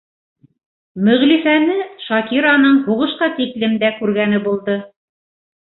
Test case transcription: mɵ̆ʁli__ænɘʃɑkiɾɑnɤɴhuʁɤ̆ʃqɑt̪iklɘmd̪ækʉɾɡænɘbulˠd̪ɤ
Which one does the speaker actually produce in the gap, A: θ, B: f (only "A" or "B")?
B